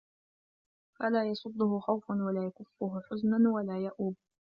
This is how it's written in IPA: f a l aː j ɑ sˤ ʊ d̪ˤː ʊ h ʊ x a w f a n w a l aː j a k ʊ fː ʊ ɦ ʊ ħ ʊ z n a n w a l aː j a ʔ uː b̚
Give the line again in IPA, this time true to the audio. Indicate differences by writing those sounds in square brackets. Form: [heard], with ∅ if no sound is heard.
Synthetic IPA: f a l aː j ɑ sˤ ʊ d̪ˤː ʊ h ʊ x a w f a n w a l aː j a k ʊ fː ʊ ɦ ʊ ħ ʊ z n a n w a l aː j a ʔ uː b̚